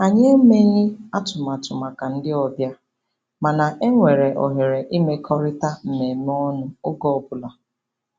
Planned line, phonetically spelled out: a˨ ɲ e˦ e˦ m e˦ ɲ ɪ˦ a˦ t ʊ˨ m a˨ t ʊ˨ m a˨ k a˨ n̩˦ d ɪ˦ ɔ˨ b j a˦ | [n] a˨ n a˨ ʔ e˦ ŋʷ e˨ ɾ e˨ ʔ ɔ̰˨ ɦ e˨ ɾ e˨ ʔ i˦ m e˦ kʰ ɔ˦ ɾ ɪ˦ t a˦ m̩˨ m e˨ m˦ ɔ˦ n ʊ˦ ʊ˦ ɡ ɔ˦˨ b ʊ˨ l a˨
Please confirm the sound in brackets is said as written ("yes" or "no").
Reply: no